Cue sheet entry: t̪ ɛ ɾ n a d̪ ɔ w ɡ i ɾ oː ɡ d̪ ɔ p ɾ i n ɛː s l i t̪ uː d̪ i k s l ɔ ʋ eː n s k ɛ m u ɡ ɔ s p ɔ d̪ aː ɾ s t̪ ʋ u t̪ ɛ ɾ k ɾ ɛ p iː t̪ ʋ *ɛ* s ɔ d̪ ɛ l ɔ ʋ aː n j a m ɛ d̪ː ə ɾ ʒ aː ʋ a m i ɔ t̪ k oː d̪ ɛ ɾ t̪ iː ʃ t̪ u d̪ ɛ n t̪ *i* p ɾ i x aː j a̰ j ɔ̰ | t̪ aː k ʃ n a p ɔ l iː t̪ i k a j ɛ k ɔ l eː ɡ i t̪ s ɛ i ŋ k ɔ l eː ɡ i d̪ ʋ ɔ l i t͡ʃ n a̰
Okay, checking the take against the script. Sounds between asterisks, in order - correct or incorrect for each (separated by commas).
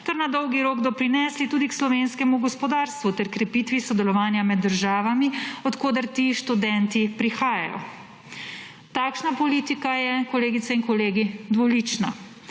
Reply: incorrect, correct